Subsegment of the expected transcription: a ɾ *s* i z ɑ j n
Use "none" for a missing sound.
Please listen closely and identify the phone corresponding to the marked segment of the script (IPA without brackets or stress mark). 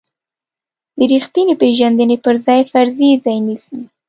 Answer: z